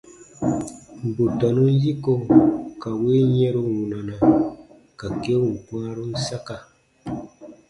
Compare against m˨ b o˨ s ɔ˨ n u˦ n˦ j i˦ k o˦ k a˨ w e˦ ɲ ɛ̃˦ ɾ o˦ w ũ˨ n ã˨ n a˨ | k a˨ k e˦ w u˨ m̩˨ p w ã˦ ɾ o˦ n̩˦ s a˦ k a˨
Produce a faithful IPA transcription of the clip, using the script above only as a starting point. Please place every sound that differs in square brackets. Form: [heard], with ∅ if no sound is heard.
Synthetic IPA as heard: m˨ b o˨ [t] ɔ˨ n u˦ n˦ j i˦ k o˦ k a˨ w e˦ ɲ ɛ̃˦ ɾ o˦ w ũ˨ n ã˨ n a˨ | k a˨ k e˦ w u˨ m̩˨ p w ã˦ ɾ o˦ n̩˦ s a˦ k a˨